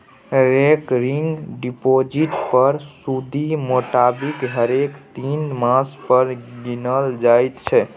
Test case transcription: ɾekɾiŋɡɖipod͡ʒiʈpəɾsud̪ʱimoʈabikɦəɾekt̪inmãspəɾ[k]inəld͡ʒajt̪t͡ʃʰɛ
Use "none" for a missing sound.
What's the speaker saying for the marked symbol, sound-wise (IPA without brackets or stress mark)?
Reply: ɡ